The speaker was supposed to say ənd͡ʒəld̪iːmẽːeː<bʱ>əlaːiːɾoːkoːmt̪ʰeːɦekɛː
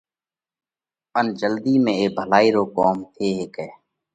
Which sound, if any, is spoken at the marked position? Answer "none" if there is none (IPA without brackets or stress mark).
bʱ